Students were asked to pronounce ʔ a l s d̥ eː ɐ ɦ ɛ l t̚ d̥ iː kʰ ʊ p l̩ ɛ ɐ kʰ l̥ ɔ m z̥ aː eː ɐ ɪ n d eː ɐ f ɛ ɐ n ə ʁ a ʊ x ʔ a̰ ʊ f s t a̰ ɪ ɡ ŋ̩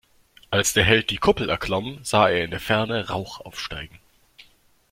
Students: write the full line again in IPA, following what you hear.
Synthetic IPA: ʔ a l s d̥ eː ɐ ɦ ɛ l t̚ d̥ iː kʰ ʊ p l̩ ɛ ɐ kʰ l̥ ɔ m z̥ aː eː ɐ ɪ n d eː ɐ f ɛ ɐ n ə ʁ a ʊ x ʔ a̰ ʊ f ʃ t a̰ ɪ ɡ ŋ̩